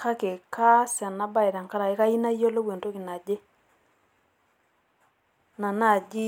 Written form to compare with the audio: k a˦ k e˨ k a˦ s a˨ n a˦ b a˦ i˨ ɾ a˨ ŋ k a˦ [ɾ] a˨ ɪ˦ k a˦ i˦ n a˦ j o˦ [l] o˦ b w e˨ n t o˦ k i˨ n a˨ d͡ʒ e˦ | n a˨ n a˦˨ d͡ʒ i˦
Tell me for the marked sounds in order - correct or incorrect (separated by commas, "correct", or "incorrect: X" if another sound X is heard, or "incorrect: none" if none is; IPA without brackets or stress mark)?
correct, correct